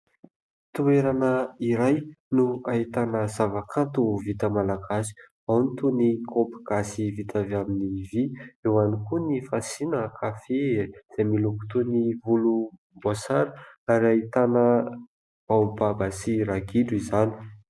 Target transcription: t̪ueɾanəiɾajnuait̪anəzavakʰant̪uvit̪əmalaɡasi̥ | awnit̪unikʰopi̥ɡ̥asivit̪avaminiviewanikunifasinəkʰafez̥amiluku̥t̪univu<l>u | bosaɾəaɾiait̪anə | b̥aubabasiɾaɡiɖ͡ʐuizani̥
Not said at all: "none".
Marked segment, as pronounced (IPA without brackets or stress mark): l